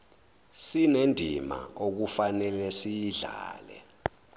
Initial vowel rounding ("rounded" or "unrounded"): unrounded